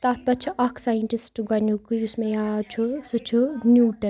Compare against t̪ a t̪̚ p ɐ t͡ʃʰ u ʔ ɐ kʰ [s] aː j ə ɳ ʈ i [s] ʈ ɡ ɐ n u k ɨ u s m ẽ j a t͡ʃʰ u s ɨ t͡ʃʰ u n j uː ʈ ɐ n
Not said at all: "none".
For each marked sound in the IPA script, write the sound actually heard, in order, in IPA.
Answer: s, s

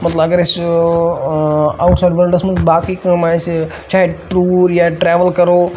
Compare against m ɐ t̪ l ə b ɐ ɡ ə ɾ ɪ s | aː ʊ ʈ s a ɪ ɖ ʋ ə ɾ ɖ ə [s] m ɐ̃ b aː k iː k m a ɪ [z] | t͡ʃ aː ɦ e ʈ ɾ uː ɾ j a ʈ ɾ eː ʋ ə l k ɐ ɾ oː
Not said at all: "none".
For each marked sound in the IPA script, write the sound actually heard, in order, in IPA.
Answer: s, s

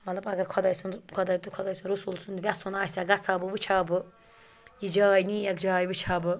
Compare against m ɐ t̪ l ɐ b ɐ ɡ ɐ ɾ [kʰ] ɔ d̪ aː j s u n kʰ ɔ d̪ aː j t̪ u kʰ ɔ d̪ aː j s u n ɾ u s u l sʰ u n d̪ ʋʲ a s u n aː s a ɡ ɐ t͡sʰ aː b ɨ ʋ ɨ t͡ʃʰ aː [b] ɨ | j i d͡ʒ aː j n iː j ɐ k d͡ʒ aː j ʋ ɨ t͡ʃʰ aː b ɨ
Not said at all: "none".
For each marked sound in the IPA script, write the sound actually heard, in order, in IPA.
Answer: kʰ, b

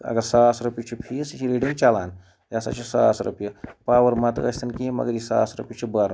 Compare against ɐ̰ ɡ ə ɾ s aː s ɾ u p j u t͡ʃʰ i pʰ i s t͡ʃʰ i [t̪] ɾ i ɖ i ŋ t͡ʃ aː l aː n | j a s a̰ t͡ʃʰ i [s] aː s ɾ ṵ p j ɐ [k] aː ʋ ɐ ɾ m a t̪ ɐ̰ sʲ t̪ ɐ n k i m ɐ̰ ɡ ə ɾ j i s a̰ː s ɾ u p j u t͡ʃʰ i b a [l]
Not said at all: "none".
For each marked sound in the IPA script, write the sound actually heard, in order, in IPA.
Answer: none, s, p, ɾ

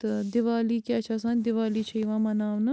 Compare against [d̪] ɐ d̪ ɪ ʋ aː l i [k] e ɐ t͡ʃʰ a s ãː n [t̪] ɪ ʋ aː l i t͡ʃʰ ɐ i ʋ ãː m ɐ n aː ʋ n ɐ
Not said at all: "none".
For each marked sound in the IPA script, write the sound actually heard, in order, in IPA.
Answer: t̪, k, d̪

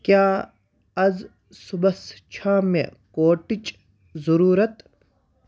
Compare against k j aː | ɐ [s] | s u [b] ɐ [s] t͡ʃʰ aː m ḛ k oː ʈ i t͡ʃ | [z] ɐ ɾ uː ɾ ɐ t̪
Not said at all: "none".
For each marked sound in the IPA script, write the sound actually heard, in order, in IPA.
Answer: z, b, s, z

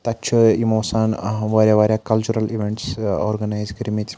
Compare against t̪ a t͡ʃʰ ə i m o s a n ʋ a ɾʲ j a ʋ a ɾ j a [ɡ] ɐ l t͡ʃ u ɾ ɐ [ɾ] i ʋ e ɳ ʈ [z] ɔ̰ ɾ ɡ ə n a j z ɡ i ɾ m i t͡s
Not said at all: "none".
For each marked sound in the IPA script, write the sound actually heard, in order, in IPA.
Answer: k, l, s

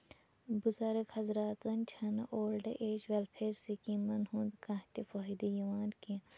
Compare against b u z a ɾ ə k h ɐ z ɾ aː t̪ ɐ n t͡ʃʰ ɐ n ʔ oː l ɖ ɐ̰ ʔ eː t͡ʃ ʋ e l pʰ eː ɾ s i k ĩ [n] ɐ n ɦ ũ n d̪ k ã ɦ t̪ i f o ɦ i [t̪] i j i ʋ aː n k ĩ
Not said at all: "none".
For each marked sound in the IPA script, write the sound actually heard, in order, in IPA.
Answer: m, d̪

